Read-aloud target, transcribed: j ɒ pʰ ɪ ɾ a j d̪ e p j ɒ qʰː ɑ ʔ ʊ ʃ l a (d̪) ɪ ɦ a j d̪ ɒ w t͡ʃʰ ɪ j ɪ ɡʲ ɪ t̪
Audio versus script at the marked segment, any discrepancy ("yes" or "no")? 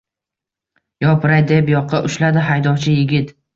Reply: no